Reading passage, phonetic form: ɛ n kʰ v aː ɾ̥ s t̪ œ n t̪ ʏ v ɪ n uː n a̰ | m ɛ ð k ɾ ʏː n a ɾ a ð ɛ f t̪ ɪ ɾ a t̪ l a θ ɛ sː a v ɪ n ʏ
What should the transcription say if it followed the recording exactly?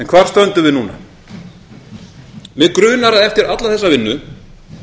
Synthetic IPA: ɛ n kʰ v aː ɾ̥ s t̪ œ n t̪ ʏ v ɪ n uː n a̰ | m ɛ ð k ɾ ʏː n a ɾ a ð ɛ f t̪ ɪ ɾ a t̪ l a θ ɛ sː a v ɪ nː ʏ